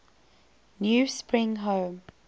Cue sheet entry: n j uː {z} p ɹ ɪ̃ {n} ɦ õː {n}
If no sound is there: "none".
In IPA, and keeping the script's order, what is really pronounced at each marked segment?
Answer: s, ŋ, m

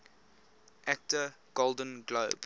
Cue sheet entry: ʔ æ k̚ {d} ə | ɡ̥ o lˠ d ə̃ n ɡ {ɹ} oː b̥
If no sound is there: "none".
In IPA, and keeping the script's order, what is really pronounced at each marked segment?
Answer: t, l

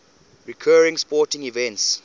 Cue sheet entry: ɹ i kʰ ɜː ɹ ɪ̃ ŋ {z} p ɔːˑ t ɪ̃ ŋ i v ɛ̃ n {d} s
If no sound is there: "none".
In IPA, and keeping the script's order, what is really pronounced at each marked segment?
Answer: s, t

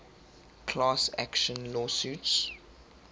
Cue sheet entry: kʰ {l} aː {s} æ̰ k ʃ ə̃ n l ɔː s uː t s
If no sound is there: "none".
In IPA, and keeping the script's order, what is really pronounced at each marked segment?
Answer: l, s

